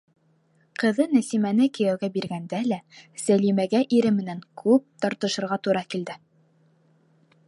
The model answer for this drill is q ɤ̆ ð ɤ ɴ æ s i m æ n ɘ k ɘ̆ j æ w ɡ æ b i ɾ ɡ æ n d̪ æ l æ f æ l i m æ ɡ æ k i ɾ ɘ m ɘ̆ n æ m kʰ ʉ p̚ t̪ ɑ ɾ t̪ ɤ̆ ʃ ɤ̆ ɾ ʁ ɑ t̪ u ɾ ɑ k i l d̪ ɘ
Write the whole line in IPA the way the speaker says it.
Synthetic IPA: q ɤ̆ ð ɤ n æ s i m æ n ɘ k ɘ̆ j æ w ɡ æ b i ɾ ɡ æ n d̪ æ l æ s æ l i m æ ɡ æ ʔ i ɾ ɘ m ɘ̆ n æ ŋ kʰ ʉ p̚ t̪ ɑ ɾ t̪ ɤ̆ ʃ ɤ̆ ɾ ʁ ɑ t̪ u ɾ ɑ k i l d̪ ɘ